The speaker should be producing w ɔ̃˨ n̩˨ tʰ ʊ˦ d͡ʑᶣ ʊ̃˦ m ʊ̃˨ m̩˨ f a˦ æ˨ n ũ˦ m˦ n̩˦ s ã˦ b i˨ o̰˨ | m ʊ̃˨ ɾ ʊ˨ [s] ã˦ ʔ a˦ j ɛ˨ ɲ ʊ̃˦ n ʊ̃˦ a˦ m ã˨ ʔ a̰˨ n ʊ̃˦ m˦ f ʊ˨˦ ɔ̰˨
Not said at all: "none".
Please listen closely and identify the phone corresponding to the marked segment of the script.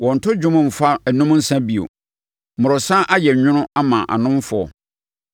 s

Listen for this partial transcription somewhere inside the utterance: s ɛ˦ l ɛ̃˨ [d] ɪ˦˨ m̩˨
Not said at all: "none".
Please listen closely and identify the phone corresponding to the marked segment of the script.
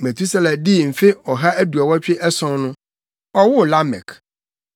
d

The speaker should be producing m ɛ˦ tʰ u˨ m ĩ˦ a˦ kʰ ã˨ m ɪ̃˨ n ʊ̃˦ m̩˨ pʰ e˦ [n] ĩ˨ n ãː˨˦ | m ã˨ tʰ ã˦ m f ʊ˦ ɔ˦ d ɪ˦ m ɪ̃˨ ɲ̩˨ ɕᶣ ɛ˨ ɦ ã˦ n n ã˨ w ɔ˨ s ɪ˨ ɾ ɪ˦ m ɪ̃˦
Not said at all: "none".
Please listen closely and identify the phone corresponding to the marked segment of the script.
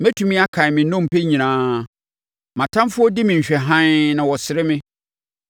ɲ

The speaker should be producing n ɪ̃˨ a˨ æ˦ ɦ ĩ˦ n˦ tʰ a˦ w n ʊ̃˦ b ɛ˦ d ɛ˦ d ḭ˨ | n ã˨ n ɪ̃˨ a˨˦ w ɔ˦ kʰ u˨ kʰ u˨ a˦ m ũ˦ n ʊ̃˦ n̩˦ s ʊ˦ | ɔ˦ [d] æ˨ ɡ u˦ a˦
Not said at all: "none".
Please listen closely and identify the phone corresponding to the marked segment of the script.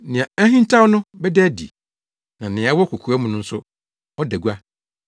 d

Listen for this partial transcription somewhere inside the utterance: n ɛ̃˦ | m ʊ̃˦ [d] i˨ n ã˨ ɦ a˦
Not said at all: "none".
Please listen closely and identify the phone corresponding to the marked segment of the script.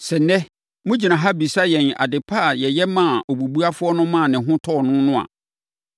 d͡ʑ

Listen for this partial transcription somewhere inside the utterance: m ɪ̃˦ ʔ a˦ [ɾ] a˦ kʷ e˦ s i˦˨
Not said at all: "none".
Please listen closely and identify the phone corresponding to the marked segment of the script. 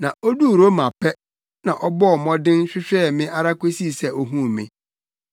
ɾ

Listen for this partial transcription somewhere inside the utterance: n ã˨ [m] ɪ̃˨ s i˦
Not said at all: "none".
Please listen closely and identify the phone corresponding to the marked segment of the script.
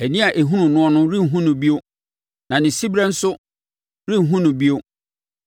n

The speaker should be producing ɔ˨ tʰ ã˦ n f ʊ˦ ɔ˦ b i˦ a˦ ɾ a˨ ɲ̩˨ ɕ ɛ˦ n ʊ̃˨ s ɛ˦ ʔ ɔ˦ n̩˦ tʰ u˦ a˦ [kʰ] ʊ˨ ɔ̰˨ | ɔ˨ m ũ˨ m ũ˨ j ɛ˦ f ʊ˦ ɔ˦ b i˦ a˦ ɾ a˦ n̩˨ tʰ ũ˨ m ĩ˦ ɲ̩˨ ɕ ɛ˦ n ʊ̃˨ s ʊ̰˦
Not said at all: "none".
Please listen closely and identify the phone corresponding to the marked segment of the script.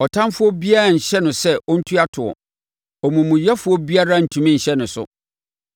tʰ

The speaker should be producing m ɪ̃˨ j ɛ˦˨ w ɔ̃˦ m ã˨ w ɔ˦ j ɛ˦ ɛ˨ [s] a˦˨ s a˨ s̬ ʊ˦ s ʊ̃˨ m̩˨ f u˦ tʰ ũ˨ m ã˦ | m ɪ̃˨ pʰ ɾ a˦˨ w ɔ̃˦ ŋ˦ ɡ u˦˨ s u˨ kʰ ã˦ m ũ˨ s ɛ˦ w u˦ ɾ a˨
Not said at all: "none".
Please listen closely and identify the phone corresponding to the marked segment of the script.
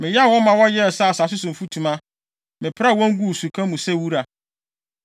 s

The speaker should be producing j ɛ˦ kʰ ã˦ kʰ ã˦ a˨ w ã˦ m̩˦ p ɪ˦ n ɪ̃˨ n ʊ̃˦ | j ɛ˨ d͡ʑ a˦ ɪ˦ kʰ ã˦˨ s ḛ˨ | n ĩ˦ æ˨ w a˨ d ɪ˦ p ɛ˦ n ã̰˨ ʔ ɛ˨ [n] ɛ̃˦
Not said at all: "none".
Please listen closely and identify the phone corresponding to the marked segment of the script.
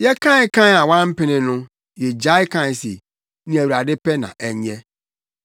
ɲ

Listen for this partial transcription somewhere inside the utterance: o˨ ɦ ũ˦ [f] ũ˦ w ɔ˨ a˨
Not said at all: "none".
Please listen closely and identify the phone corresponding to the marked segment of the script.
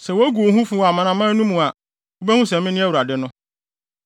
f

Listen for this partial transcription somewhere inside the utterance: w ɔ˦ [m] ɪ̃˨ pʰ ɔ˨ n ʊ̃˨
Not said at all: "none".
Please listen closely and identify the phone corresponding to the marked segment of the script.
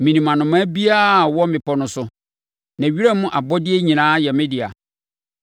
m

